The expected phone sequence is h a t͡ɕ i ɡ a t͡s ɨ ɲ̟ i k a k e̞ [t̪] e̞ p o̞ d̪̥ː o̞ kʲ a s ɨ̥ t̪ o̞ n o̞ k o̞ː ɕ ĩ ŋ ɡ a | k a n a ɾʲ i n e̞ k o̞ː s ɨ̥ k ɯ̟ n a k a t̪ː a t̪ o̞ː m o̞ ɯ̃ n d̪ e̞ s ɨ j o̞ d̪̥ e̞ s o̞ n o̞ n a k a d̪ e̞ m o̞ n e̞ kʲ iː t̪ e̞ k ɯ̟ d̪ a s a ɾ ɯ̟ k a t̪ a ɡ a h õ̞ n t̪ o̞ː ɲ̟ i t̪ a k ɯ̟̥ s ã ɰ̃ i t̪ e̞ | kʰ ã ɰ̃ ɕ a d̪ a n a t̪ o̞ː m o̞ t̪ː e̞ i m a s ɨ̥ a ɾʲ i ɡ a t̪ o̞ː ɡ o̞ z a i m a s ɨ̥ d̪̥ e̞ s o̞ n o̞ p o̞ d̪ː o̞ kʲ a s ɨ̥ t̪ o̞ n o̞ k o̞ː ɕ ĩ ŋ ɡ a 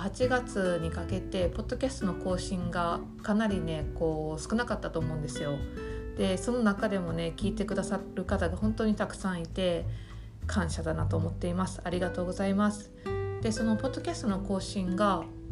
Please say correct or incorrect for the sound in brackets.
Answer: correct